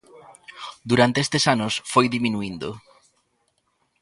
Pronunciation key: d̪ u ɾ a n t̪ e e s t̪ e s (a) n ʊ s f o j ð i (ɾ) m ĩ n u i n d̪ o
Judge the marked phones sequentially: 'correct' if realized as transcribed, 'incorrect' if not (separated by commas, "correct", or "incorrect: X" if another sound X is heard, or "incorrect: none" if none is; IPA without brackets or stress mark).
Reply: correct, incorrect: none